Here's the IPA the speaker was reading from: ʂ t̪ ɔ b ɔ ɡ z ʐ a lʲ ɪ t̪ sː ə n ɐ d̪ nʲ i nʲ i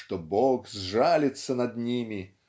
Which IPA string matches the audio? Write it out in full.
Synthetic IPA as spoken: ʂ t̪ ɔ b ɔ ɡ z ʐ a lʲ ɪ t̪ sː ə n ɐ d̪ nʲ i mʲ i

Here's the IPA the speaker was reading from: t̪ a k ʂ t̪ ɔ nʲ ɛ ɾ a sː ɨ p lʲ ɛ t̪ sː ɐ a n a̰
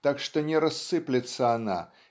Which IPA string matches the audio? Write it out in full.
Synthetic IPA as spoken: t̪ a k ʂ t̪ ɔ nʲ ɛ ɾ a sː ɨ p lʲ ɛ t̪ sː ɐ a n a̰

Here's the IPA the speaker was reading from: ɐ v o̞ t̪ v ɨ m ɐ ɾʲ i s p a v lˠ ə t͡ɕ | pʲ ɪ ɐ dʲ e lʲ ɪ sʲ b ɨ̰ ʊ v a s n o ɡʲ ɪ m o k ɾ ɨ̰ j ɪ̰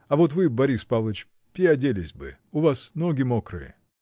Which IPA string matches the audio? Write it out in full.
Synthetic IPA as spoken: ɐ v o̞ t̪ v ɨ b ɐ ɾʲ i s p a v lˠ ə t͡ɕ | pʲ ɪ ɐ dʲ e lʲ ɪ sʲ b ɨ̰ ʊ v a s n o ɡʲ ɪ m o k ɾ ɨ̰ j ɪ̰

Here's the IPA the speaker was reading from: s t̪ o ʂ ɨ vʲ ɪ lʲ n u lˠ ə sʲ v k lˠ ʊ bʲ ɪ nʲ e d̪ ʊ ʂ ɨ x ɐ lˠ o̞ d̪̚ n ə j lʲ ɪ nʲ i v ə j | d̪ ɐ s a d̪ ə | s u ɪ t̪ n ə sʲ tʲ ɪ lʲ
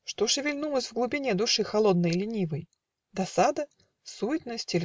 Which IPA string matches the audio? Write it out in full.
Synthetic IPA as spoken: ʂ t̪ o ʂ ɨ vʲ ɪ lʲ n u lˠ ə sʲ v ɡ lˠ ʊ bʲ ɪ nʲ e d̪ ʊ ʂ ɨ x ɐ lˠ o̞ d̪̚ n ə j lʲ ɪ nʲ i v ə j | d̪ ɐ s a d̪ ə | s u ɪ t̪ n ə sʲ tʲ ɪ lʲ

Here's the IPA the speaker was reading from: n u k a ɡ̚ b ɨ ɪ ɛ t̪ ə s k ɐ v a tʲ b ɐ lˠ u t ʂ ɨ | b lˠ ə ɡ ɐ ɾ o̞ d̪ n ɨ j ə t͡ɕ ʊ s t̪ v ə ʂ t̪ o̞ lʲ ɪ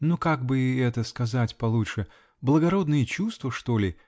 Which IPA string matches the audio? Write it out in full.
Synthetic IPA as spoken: n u k a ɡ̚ b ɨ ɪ ɛ t̪ ə s k ɐ z a tʲ p ɐ lˠ u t ʂ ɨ | b lˠ ə ɡ ɐ ɾ o̞ d̪ n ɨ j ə t͡ɕ u s t̪ v ə ʂ t̪ o̞ lʲ ɪ

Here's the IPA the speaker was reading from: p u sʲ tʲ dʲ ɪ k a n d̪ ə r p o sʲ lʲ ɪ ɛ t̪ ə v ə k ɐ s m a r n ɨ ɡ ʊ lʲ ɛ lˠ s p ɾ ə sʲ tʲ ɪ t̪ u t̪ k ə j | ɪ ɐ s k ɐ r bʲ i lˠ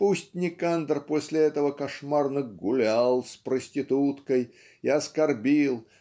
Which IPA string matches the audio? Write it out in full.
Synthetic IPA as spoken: p u sʲ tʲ nʲ ɪ k a n d̪ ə r p o sʲ lʲ ɪ ɛ t̪ ə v ə k ɐ ʂ m a r n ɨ ɡ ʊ lʲ a lˠ s p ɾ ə sʲ tʲ ɪ t̪ u t̪ k ə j | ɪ ɐ s k ɐ r bʲ i lˠ

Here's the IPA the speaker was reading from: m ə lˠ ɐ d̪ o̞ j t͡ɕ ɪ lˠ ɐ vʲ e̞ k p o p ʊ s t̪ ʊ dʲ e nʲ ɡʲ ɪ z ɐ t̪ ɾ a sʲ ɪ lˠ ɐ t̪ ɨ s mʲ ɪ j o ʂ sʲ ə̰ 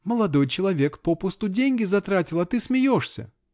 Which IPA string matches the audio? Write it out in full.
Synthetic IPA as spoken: m ə lˠ ɐ d̪ o̞ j t͡ɕ ɪ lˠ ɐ vʲ e̞ k p o p ʊ s t̪ ʊ dʲ e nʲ ɡʲ ɪ z ɐ t̪ ɾ a tʲ ɪ lˠ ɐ t̪ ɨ s mʲ ɪ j o ʂ sʲ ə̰

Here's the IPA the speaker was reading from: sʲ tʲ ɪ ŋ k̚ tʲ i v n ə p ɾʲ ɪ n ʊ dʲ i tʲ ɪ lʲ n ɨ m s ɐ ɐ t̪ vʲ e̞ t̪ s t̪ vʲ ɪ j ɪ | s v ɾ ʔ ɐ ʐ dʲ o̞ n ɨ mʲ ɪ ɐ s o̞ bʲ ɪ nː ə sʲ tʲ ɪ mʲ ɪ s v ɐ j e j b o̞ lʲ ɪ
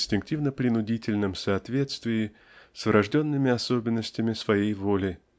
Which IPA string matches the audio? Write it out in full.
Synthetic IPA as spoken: sʲ tʲ ɪ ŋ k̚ tʲ i v n ə p ɾʲ ɪ n ʊ dʲ i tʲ ɪ lʲ n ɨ m s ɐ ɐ t̪ vʲ e̞ t̪ s t̪ vʲ ɪ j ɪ | s v ɾ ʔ ɐ ʐ dʲ o̞ nː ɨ mʲ ɪ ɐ s o̞ bʲ ɪ nː ə sʲ tʲ ɪ mʲ ɪ s v ɐ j e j v o̞ lʲ ɪ

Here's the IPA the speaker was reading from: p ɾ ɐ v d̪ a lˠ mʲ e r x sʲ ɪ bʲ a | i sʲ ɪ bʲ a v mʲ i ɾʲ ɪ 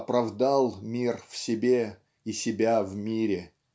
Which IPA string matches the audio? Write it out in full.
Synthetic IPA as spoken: p ɾ ɐ v d̪ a lˠ mʲ i r f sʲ ɪ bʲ e | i sʲ ɪ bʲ a v mʲ i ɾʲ ɪ

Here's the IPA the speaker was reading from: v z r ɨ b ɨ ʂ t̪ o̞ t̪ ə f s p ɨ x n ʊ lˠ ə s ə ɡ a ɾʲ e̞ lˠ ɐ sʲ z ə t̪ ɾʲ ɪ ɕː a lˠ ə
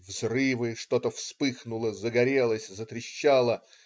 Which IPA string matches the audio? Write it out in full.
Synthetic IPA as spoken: v z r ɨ v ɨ ʂ t̪ o̞ t̪ ə f s p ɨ x n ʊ lˠ ə z ə ɡ ɐ ɾʲ e̞ lˠ ə sʲ z ə t̪ ɾʲ ɪ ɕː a lˠ ə

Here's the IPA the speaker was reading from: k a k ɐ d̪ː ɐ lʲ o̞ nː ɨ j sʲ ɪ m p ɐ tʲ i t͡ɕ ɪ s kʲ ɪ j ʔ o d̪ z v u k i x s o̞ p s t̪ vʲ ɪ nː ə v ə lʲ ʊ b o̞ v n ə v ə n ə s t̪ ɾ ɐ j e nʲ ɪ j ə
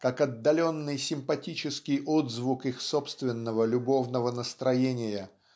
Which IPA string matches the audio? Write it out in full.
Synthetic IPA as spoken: k a k ɐ d̪ː ɐ lʲ o̞ nː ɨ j sʲ ɪ m p ɐ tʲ i t͡ɕ ɪ s kʲ ɪ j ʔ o d̪ z v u k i x s o̞ p s t̪ vʲ ɪ nː ə v ə lʲ ʊ b o̞ v n ə v ə n ə s t̪ ɾ ɐ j e nʲ ɪ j ə

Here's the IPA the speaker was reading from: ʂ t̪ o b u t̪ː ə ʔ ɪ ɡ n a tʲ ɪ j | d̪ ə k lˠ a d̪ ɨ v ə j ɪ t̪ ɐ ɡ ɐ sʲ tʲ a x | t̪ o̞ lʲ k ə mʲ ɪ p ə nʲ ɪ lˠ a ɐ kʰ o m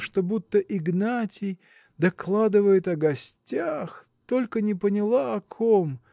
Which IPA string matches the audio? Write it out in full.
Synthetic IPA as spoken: ʂ t̪ o b u t̪ː ə ʔ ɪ ɡ n a tʲ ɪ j | d̪ ɐ k lˠ a d̪ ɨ v ə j ɪ t̪ ɐ ɡ ɐ sʲ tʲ a x | t̪ o̞ lʲ k ə nʲ ɪ p ə nʲ ɪ lˠ a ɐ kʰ o m

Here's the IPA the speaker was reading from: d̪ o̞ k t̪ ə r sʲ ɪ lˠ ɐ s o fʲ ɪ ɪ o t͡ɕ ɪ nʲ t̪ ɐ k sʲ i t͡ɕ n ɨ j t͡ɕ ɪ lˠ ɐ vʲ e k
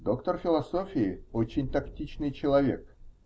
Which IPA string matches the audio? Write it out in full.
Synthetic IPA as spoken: d̪ o̞ k t̪ ə r fʲ ɪ lˠ ɐ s o fʲ ɪ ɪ o t͡ɕ ɪ nʲ t̪ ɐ k tʲ i t͡ɕ n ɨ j t͡ɕ ɪ lˠ ɐ vʲ e k

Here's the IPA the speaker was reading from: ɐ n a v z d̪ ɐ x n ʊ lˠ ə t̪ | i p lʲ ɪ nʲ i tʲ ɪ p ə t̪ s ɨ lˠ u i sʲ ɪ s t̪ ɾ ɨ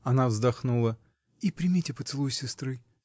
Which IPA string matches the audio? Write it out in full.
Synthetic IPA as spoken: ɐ n a v z d̪ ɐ x n u lˠ ə | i p ɾʲ ɪ mʲ i tʲ ɪ p ə t̪ s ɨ lˠ u j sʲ ɪ s t̪ ɾ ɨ

